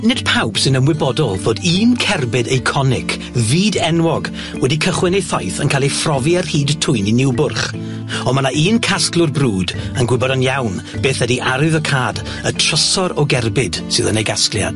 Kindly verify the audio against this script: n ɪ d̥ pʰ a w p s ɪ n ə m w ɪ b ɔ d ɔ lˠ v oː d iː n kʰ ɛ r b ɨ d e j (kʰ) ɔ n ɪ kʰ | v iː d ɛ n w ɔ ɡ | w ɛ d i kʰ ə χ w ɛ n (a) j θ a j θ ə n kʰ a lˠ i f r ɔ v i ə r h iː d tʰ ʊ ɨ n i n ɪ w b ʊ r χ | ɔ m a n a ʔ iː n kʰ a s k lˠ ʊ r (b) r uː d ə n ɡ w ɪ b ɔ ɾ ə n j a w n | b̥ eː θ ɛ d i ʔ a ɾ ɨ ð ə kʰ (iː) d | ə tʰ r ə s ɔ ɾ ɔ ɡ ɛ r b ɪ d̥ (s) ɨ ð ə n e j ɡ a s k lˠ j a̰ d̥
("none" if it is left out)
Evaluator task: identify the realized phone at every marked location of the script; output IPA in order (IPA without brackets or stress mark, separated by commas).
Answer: kʰ, e, b, aː, s